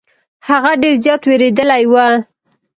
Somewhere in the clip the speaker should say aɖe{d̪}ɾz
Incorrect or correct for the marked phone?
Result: incorrect: none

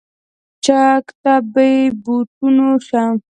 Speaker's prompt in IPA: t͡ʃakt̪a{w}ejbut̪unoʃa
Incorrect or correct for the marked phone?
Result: incorrect: b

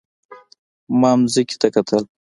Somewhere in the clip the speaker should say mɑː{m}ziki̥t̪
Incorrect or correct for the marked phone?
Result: correct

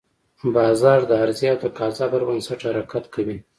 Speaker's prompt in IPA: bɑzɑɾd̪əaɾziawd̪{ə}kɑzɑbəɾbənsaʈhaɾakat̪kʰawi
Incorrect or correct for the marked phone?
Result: correct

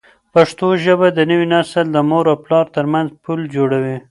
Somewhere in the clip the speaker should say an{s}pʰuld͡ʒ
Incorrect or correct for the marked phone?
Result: incorrect: z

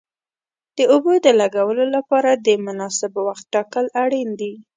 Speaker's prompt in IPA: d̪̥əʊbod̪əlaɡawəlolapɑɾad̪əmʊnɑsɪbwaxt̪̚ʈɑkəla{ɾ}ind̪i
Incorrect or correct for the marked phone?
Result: incorrect: ɽ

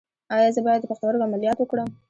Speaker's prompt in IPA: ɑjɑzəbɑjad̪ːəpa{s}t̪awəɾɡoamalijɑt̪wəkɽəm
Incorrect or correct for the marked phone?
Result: incorrect: x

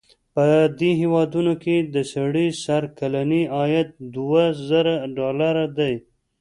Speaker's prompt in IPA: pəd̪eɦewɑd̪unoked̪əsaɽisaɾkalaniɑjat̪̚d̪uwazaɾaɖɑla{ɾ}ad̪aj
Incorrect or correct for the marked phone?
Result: correct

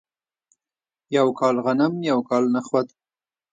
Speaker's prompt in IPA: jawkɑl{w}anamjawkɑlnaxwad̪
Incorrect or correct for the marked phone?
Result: incorrect: ɣ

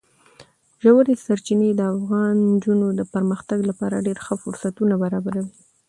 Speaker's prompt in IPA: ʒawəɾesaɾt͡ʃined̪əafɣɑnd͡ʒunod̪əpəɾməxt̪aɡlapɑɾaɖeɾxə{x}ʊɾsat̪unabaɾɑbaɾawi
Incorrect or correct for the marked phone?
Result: incorrect: f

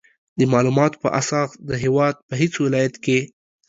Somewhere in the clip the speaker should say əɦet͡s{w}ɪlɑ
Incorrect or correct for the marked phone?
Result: correct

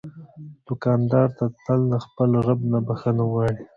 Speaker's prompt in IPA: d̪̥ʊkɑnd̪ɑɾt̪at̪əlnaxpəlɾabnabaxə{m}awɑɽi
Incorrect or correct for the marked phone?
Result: incorrect: n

